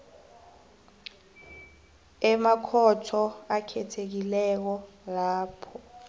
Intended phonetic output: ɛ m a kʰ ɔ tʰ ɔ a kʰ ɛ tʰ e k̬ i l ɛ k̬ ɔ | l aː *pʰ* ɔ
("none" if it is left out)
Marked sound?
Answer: pʰ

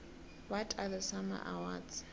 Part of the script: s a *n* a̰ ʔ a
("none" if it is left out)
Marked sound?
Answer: m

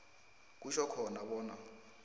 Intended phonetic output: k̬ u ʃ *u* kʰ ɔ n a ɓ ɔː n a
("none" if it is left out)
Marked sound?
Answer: ɔ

